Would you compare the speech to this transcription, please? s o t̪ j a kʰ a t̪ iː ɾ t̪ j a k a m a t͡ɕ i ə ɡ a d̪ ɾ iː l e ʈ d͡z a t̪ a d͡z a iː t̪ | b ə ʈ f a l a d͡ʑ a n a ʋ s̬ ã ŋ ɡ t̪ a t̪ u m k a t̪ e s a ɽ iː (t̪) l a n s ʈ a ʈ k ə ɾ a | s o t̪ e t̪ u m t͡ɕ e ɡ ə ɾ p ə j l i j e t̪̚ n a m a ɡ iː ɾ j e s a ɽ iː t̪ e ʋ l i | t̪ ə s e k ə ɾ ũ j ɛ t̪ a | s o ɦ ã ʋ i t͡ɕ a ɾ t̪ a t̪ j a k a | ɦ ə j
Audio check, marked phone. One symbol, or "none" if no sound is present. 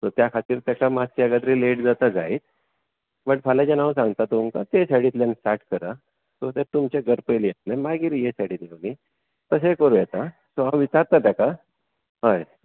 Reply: t̪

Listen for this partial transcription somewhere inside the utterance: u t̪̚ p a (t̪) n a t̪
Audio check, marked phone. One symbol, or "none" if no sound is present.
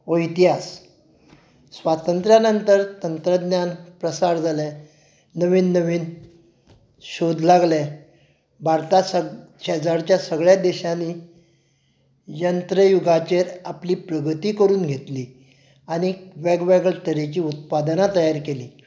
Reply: d̪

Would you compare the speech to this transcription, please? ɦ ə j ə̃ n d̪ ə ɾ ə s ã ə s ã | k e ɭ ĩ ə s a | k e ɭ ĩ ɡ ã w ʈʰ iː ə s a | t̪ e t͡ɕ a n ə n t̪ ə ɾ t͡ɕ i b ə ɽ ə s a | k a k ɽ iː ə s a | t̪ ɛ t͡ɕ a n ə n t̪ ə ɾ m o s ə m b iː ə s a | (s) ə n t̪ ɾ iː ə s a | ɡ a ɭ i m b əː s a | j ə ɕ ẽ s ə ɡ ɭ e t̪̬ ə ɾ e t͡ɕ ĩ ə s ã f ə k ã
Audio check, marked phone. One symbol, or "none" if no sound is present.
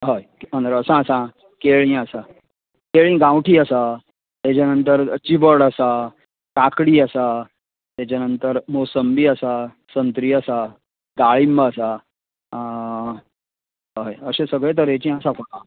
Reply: s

